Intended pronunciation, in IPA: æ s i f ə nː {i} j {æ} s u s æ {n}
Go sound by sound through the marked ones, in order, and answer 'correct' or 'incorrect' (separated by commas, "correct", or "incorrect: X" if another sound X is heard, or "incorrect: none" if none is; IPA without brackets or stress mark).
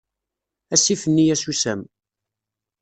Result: correct, correct, incorrect: m